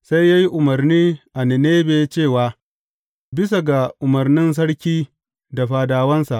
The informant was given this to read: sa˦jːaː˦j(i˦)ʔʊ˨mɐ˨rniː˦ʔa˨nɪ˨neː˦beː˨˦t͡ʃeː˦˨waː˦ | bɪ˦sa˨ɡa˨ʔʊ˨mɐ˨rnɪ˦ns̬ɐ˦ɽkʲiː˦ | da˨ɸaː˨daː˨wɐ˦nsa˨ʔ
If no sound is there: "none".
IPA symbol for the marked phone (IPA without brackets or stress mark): i˦